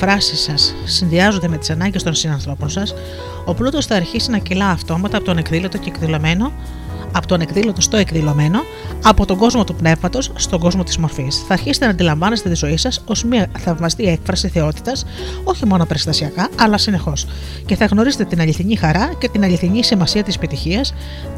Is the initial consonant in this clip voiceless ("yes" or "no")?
yes